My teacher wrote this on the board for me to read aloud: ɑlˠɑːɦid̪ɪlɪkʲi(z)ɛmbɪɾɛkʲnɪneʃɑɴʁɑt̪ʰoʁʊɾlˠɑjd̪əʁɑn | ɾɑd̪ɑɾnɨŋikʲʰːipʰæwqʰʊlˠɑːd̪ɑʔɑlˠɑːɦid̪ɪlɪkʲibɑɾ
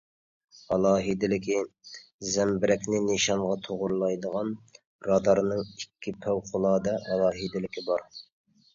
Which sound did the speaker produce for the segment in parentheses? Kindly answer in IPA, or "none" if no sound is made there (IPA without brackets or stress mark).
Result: z